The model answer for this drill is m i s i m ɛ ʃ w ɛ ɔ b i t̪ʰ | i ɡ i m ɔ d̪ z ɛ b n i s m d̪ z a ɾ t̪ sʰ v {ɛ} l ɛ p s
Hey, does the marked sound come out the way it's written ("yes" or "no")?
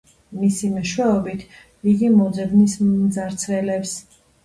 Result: yes